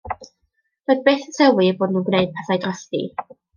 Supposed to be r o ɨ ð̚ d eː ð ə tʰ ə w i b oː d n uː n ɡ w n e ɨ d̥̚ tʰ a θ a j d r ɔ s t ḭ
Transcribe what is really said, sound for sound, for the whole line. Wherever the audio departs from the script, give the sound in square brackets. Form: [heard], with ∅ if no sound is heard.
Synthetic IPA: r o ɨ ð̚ [b] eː [θ] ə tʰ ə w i b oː d n uː n ɡ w n e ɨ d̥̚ [pʰ] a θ a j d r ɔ s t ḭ